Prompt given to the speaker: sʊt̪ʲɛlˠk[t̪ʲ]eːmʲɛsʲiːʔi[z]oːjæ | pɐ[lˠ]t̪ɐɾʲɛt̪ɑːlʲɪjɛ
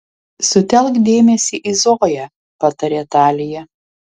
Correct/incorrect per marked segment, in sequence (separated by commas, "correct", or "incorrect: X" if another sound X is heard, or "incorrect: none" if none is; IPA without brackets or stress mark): incorrect: d̪ʲ, correct, incorrect: none